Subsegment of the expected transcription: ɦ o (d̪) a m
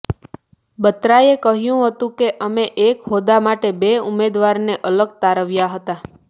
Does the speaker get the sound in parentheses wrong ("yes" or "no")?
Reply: no